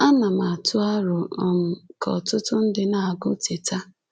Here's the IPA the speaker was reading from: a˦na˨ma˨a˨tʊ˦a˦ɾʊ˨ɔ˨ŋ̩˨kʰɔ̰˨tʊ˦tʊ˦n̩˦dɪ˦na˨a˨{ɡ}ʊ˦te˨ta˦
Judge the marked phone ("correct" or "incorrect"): correct